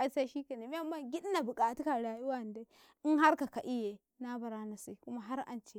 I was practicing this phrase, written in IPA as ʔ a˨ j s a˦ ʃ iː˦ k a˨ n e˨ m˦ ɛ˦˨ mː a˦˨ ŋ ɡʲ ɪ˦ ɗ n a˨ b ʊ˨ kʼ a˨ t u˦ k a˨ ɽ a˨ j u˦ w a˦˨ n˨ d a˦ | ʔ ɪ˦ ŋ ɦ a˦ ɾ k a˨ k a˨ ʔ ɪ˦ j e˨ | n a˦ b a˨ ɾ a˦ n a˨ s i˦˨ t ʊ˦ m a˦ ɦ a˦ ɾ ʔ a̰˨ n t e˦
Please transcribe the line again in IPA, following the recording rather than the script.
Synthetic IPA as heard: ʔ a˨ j s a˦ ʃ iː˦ k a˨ n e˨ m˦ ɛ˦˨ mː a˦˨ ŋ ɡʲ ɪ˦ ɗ n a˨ b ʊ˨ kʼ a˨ t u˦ k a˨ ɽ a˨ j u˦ w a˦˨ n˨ d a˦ | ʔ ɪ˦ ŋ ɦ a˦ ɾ k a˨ k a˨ ʔ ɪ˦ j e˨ | n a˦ b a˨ ɾ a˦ n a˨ s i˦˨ k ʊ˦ m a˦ ɦ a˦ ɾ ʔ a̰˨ n t͡ʃ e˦

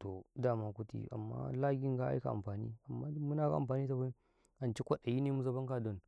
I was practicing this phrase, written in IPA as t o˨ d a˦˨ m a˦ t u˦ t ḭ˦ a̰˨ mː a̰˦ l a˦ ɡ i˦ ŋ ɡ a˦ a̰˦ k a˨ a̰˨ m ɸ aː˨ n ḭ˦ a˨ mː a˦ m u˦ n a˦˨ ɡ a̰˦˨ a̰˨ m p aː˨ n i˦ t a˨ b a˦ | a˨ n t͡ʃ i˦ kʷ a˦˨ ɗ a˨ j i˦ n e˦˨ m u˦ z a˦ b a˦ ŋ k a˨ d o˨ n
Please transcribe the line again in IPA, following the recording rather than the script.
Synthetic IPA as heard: t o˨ d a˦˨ m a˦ k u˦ t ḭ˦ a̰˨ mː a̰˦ l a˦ ɡ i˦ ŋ ɡ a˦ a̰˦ k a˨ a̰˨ m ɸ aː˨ n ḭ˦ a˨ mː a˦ m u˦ n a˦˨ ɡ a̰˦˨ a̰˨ m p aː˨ n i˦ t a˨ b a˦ | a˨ n t͡ʃ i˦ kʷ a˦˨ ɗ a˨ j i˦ n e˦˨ m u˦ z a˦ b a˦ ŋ k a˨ d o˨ n

